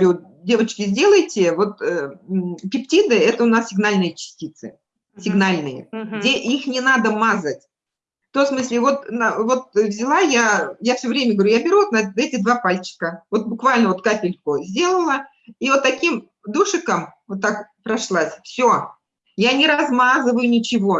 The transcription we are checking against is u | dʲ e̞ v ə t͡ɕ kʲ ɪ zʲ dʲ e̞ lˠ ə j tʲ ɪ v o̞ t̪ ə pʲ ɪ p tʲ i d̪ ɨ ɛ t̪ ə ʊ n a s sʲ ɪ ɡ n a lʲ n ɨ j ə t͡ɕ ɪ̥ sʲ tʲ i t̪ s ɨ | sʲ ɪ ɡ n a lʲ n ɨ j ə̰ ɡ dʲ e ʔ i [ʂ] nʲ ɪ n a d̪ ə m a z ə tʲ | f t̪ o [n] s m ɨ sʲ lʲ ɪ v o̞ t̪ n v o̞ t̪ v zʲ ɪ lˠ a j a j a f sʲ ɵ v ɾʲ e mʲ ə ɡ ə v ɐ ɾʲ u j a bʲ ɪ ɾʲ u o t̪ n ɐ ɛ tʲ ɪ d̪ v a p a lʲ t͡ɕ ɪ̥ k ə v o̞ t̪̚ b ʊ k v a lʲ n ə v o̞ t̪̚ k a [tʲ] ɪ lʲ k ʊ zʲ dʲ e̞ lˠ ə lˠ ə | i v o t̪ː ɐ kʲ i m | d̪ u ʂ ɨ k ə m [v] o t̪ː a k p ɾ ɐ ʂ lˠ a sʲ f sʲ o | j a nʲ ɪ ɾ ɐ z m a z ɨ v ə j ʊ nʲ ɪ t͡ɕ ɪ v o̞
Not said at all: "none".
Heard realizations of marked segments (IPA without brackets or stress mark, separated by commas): x, m, pʲ, v